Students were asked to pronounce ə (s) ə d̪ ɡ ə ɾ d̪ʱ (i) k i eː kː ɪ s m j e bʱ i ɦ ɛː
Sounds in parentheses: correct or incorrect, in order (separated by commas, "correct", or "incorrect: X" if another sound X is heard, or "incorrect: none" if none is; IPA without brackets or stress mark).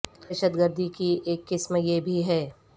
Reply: incorrect: ʃ, correct